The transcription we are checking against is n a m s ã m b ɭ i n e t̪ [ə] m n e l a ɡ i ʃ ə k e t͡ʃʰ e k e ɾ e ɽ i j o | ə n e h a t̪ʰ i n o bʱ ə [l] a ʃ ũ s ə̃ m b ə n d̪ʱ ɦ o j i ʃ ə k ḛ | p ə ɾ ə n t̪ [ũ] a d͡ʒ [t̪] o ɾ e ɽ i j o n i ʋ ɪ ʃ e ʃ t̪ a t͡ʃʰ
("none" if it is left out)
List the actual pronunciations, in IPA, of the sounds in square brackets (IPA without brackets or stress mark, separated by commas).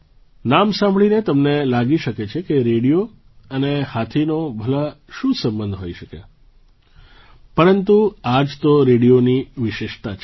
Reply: ə, l, u, t̪